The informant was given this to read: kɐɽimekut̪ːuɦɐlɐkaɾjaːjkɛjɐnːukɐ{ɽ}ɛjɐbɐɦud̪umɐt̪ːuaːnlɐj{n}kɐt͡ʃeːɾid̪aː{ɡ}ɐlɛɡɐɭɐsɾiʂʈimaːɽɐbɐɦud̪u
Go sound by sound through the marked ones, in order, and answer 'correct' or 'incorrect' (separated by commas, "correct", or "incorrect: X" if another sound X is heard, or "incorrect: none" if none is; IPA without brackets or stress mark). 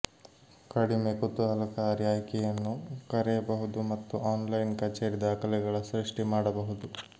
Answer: incorrect: ɾ, correct, incorrect: k